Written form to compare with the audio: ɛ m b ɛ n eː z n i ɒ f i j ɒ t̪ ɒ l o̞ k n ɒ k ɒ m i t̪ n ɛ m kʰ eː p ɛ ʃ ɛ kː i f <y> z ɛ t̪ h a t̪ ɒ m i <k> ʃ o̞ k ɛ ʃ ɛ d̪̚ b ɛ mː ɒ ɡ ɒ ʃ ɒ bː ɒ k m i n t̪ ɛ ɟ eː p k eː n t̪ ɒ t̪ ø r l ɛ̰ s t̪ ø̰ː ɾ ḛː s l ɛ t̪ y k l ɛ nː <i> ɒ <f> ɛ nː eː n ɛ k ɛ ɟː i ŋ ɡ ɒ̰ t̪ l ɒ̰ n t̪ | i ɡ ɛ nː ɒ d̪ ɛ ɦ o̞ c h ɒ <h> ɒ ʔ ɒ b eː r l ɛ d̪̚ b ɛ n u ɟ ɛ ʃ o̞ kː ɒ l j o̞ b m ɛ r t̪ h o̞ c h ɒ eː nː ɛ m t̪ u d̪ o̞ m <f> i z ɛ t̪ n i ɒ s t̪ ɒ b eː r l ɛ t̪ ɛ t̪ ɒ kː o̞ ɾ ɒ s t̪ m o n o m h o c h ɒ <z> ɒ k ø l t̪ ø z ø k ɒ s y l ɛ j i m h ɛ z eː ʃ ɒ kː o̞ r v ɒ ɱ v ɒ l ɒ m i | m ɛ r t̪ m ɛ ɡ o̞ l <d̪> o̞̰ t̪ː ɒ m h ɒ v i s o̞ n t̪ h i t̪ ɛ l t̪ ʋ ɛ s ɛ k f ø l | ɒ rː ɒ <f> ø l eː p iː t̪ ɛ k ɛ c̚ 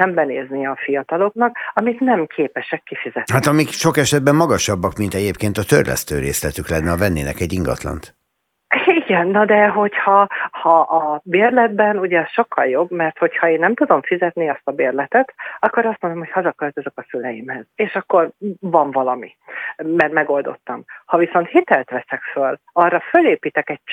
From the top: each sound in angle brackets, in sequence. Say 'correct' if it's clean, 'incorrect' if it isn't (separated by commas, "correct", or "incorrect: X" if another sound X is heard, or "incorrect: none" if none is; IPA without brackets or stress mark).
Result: incorrect: i, correct, incorrect: ɛ, incorrect: v, correct, correct, correct, correct, correct